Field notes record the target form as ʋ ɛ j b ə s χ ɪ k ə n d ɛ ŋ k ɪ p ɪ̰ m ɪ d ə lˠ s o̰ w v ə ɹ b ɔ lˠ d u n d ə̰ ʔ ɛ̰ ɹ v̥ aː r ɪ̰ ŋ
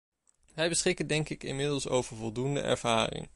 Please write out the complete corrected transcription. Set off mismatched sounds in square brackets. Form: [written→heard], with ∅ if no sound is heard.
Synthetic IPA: ʋ ɛ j b ə s χ ɪ k ə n d ɛ ŋ k ɪ [p→k] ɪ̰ m ɪ d ə lˠ s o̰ w v ə ɹ [b→v] ɔ lˠ d u n d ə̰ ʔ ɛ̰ ɹ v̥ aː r ɪ̰ ŋ

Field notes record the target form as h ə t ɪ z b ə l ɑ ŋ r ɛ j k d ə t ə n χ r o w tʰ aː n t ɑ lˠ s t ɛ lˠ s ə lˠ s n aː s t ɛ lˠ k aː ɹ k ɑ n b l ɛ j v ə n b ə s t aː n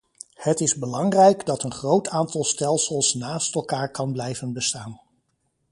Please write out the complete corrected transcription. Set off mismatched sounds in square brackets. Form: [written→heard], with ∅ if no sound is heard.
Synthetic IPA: h ə t ɪ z b ə l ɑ ŋ r ɛ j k d [ə→ɑ] t ə n χ r o w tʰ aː n t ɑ lˠ s t ɛ lˠ s ə lˠ s n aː s t ɛ lˠ k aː ɹ k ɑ n b l ɛ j v ə n b ə s t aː n

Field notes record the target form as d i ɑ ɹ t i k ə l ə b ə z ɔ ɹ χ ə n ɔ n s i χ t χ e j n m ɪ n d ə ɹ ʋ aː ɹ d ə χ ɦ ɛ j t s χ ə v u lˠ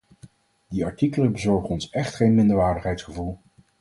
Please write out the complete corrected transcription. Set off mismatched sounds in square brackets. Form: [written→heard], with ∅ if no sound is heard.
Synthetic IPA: d i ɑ ɹ t i k ə l ə b ə z ɔ ɹ χ ə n ɔ n s [i→ɛ] χ t χ e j n m ɪ n d ə ɹ ʋ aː ɹ d ə χ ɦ ɛ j t s χ ə v u lˠ

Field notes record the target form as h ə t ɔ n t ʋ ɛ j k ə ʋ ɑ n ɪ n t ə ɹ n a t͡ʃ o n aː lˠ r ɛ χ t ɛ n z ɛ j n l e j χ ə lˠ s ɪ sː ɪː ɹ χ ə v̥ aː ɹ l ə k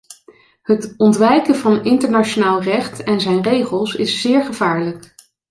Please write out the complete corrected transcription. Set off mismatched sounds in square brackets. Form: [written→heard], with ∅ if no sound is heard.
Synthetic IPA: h ə t ɔ n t ʋ ɛ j k ə [ʋ→v] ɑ n ɪ n t ə ɹ n a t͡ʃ o n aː lˠ r ɛ χ t ɛ n z ɛ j n [l→r] e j χ ə lˠ s ɪ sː ɪː ɹ χ ə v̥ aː ɹ l ə k

